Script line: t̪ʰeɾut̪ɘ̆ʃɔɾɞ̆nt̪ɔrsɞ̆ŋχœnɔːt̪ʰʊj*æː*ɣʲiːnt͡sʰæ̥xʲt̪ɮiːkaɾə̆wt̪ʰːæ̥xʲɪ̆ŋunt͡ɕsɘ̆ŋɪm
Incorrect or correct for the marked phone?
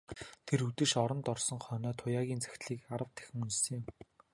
incorrect: aː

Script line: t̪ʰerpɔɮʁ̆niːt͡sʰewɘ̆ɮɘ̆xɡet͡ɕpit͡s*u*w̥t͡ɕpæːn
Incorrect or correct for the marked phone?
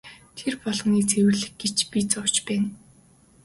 incorrect: ʊ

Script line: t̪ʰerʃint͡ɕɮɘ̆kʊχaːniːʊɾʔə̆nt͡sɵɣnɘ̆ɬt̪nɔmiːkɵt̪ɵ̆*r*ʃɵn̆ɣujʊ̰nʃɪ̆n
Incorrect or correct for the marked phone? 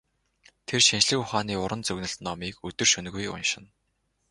correct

